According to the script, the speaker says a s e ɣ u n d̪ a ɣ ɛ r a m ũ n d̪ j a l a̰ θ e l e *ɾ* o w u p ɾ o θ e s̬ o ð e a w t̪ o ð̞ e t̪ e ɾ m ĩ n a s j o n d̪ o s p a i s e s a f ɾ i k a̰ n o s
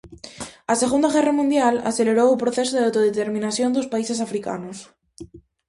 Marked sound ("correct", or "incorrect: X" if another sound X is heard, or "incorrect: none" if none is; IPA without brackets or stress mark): correct